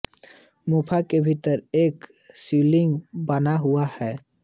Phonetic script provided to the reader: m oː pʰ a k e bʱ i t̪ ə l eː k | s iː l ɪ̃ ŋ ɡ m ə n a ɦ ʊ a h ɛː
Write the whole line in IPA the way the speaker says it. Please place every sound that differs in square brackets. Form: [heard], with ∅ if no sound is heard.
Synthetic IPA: m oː pʰ a k e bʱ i t̪ ə [ɾ] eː k | s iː l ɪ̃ ŋ ɡ [b] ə n a ɦ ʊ a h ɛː